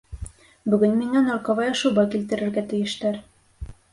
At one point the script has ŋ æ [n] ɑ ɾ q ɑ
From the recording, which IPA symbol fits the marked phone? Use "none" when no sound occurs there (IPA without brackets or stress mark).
n